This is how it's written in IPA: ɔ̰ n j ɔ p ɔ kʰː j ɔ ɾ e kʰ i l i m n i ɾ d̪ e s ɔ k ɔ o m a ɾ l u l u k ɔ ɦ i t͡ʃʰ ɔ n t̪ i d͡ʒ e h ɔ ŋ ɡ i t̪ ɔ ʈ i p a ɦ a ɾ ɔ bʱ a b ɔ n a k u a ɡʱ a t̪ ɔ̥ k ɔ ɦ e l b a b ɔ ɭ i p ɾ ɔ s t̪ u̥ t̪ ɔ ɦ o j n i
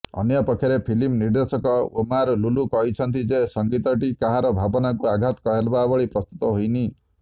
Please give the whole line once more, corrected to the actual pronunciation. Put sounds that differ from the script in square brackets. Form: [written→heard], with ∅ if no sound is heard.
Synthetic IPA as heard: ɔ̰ n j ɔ p ɔ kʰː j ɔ ɾ e [kʰ→pʰ] i l i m n i ɾ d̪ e s ɔ k ɔ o m a ɾ l u l u k ɔ ɦ i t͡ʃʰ ɔ n t̪ i d͡ʒ e [h→s] ɔ ŋ ɡ i t̪ ɔ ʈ i [p→k] a ɦ a ɾ ɔ bʱ a b ɔ n a k u a ɡʱ a t̪ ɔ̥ k ɔ ɦ e l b a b ɔ ɭ i p ɾ ɔ s t̪ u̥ t̪ ɔ ɦ o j n i